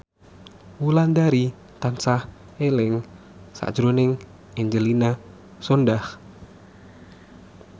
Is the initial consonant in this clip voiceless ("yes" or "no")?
no